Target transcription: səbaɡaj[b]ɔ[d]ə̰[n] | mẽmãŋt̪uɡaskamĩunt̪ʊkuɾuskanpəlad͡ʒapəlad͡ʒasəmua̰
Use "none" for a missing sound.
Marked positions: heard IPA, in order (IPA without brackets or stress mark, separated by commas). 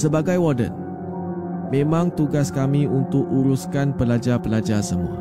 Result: w, d, n